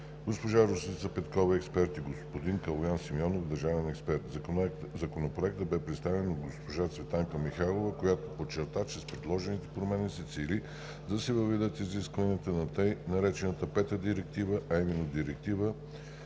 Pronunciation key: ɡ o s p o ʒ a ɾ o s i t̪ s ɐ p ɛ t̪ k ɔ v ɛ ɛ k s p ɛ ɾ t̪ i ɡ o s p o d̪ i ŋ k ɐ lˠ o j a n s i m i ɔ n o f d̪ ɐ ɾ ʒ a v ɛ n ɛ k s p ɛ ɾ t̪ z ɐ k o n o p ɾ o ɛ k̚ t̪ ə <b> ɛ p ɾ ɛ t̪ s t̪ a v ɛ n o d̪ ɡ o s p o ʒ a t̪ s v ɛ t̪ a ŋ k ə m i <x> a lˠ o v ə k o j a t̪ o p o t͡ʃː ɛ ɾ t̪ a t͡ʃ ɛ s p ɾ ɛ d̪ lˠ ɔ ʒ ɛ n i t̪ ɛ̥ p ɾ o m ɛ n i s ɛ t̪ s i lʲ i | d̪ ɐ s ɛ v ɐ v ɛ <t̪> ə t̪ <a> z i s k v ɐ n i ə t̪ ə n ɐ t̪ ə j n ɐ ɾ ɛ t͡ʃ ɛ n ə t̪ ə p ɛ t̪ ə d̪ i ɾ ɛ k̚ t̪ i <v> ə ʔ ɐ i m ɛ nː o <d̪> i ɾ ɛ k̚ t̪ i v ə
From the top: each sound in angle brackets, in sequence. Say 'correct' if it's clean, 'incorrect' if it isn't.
correct, correct, incorrect: d̪, incorrect: i, correct, correct

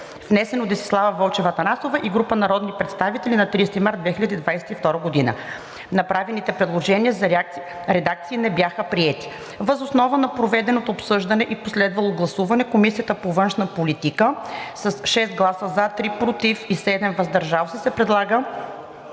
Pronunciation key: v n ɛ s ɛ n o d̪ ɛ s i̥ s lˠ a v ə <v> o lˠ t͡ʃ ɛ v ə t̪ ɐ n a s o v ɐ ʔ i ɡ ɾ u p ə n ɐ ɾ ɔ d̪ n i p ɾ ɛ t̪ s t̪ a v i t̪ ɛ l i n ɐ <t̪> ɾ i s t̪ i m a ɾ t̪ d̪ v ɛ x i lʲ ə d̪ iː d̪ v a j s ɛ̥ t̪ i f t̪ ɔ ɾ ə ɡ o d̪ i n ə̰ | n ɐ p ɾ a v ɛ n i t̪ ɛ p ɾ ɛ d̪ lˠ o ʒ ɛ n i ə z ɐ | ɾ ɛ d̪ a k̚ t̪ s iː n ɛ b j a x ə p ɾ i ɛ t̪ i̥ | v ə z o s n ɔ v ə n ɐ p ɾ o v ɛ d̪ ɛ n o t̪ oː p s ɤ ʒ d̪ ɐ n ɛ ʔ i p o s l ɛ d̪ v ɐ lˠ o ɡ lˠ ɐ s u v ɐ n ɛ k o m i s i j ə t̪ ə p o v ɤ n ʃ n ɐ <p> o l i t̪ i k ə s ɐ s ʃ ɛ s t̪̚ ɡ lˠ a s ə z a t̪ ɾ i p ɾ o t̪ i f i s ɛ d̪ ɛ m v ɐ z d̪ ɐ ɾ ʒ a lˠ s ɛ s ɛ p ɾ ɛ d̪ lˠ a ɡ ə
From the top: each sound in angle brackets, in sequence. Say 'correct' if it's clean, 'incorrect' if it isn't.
correct, correct, correct

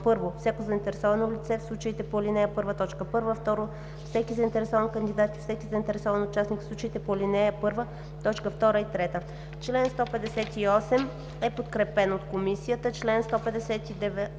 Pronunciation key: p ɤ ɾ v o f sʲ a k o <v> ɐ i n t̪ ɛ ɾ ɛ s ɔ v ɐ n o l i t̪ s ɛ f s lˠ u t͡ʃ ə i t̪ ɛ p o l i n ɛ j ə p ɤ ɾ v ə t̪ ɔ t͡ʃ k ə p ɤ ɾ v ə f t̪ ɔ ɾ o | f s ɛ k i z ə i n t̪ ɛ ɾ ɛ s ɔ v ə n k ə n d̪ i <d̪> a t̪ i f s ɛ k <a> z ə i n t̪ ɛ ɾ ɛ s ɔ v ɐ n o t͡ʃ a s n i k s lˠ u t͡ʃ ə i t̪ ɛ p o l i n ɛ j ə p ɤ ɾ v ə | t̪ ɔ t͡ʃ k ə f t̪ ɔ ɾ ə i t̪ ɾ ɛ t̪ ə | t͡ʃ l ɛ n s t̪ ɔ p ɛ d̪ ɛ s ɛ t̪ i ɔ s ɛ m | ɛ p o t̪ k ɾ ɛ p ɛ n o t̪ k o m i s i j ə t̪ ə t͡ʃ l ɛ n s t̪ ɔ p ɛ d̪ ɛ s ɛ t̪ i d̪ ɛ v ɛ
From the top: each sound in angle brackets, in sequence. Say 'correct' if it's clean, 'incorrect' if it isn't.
incorrect: z, correct, incorrect: i

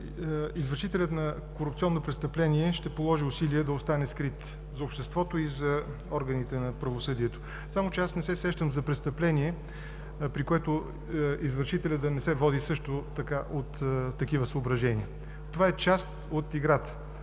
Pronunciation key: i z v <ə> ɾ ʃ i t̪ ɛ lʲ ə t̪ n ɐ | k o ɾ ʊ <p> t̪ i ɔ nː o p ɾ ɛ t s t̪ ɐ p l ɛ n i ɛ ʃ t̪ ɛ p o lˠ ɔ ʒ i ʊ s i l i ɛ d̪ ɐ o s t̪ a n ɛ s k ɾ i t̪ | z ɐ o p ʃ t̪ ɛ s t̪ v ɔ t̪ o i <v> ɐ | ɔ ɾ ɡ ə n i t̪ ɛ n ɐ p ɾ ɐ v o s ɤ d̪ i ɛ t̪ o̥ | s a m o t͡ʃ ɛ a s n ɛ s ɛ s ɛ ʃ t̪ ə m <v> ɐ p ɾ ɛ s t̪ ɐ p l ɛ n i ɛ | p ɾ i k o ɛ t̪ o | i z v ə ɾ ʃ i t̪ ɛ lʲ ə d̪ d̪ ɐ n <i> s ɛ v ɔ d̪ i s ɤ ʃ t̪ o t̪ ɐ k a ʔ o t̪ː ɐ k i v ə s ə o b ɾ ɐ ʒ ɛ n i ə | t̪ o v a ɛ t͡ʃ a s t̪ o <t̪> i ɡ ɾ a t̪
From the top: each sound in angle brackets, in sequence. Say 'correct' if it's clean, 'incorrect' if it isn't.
correct, correct, incorrect: z, incorrect: z, incorrect: ɛ, correct

